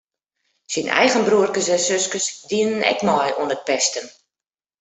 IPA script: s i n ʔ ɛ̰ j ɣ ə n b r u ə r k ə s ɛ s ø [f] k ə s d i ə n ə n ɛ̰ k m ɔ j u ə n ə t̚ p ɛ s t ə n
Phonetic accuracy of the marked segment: incorrect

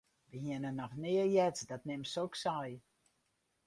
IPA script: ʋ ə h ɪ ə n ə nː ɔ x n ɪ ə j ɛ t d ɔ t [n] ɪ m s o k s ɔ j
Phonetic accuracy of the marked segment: correct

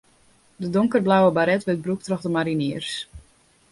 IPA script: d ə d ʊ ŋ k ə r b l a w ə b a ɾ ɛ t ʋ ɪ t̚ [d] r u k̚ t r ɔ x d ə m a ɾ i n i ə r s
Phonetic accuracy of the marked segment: incorrect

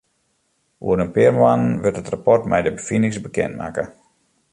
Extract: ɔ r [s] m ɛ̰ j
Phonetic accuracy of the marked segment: incorrect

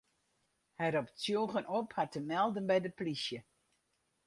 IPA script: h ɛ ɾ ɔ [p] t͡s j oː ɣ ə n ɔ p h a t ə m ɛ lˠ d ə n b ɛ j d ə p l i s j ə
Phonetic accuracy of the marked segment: correct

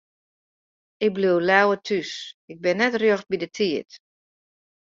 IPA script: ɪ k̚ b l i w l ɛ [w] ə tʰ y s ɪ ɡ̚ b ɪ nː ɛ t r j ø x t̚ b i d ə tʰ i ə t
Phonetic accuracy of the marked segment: correct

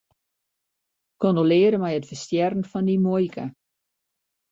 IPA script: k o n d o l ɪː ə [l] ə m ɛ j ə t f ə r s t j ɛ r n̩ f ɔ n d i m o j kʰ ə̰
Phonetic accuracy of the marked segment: incorrect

